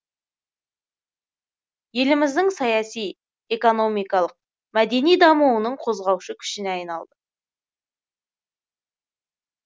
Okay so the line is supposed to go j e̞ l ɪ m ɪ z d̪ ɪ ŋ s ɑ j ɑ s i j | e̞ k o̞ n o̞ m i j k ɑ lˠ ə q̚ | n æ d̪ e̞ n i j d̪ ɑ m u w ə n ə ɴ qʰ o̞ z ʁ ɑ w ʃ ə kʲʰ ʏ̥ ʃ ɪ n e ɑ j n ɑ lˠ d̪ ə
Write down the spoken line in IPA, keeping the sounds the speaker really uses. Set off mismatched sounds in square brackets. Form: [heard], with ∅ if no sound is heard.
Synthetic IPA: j e̞ l ɪ m ɪ z d̪ ɪ ŋ s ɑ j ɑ s i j | e̞ k o̞ n o̞ m i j k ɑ lˠ ə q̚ | [m] æ d̪ e̞ n i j d̪ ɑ m u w ə n ə ɴ qʰ o̞ z ʁ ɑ w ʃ ə kʲʰ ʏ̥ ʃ ɪ n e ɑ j n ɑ lˠ d̪ ə